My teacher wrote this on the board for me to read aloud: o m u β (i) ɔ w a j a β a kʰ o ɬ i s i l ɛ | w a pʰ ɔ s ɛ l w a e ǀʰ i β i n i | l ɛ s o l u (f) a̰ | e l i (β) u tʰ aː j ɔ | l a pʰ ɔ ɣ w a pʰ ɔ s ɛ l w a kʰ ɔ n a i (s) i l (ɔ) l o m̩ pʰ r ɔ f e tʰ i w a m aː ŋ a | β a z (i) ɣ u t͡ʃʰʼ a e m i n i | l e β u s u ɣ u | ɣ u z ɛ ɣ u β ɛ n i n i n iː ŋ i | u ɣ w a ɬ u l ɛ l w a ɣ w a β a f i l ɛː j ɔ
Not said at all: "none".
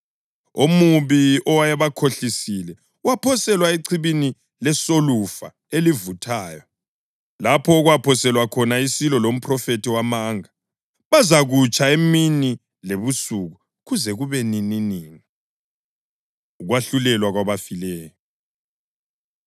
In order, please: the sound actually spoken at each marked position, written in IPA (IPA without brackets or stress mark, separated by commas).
i, f, v, s, ɔ, a